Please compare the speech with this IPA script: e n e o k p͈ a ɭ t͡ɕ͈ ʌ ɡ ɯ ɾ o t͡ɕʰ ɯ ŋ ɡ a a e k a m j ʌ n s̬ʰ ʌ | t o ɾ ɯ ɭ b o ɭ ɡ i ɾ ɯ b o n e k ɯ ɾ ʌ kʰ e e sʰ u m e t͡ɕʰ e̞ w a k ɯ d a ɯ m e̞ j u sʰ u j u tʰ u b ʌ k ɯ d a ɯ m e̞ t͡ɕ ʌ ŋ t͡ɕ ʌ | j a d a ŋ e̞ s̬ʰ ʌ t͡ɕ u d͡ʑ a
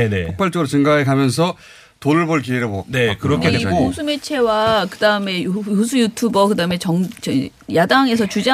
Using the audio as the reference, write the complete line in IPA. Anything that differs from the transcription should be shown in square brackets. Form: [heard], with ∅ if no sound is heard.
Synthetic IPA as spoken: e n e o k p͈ a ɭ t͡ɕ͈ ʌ ɡ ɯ ɾ o [t͡ɕ] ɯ ŋ ɡ a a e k a m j ʌ n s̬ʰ ʌ | t o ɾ ɯ ɭ b o ɭ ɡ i ɾ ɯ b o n e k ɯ ɾ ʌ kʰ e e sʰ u m e t͡ɕʰ e̞ w a k ɯ d a ɯ m e̞ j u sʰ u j u tʰ u b ʌ k ɯ d a ɯ m e̞ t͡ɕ ʌ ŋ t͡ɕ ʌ | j a d a ŋ e̞ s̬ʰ ʌ t͡ɕ u d͡ʑ a